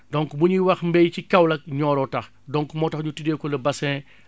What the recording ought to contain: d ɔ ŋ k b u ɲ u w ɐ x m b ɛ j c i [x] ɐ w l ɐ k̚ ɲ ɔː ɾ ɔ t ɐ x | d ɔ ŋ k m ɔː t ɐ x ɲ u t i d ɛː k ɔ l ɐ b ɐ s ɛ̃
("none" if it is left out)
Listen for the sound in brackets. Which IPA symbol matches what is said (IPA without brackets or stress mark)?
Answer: k